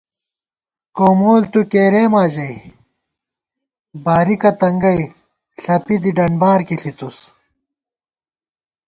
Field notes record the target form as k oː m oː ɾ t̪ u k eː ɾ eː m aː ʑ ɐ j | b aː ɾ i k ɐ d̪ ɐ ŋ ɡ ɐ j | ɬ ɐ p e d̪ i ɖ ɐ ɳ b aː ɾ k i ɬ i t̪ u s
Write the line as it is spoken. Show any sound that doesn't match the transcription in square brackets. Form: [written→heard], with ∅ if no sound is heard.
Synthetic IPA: k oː m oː [ɾ→l] t̪ u k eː ɾ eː m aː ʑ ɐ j | b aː ɾ i k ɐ [d̪→t̪] ɐ ŋ ɡ ɐ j | ɬ ɐ p [e→i] d̪ i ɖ ɐ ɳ b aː ɾ k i ɬ i t̪ u s